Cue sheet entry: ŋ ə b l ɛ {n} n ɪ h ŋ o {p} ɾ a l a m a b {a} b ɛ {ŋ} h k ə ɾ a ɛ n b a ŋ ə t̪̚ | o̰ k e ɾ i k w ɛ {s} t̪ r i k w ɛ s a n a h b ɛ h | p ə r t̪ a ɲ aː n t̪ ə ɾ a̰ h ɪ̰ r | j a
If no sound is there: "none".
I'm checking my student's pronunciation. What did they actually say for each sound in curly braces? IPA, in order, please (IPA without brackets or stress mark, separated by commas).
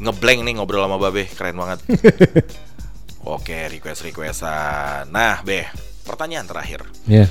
ŋ, b, a, none, s